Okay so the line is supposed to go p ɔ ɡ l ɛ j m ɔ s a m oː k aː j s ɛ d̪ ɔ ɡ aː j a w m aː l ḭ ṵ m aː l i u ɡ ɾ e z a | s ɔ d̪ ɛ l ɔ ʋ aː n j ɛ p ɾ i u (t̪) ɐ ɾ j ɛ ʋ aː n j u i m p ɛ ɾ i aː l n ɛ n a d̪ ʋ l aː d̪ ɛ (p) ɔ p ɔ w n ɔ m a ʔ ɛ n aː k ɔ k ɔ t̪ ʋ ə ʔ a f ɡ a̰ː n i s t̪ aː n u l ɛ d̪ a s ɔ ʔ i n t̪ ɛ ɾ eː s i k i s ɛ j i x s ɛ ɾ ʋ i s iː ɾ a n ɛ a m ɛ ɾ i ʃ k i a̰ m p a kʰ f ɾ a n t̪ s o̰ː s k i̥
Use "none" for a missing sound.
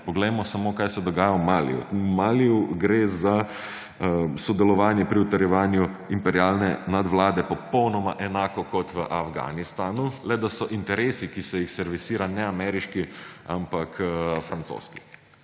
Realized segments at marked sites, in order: t̪, p

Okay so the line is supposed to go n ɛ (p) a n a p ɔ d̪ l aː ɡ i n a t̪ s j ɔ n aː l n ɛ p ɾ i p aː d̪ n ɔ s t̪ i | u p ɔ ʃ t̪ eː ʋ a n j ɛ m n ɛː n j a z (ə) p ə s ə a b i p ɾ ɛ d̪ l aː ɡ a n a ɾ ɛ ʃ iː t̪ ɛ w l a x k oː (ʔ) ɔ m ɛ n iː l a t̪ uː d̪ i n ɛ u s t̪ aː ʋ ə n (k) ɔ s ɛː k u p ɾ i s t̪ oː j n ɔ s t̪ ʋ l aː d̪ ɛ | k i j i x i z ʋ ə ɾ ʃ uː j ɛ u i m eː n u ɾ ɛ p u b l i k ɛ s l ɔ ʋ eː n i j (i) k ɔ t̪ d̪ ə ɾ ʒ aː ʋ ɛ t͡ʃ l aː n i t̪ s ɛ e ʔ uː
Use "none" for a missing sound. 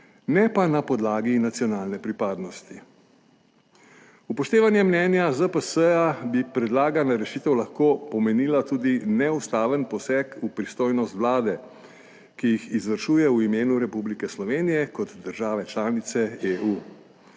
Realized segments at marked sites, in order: p, ə, p, p, ɛ

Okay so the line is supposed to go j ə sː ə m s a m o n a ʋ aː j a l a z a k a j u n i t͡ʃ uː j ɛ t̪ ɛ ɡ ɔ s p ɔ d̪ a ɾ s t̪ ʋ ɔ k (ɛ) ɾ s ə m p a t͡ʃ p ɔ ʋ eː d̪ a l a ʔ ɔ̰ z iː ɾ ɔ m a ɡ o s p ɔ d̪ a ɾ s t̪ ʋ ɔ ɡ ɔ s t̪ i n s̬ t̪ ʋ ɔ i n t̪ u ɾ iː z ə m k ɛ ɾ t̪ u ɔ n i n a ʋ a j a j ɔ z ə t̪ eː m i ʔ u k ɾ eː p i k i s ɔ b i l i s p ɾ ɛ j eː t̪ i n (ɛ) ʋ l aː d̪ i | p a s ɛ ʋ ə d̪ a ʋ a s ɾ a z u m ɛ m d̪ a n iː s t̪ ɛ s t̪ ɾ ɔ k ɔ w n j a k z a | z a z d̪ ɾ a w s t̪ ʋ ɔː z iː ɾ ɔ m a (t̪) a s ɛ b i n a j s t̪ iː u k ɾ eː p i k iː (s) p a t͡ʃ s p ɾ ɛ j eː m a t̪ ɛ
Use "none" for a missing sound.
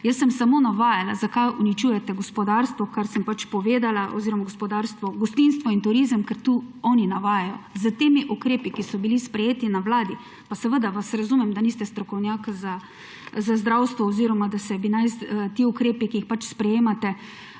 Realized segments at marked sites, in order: a, a, d̪, x

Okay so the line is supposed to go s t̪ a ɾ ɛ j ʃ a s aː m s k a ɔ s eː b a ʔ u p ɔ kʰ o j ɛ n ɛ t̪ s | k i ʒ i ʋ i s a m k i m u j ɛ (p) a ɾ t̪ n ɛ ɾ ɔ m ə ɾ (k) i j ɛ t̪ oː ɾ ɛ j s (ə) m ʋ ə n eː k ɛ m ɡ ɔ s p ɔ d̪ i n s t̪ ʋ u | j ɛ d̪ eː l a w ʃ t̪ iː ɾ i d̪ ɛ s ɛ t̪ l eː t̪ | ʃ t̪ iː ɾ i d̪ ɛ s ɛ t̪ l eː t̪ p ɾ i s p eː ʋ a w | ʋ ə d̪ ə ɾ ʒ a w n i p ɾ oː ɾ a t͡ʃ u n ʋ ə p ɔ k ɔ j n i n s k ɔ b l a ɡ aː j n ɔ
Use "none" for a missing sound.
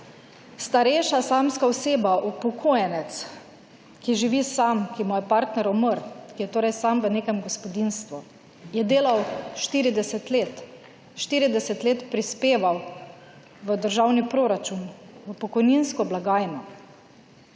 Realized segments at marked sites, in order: p, k, a

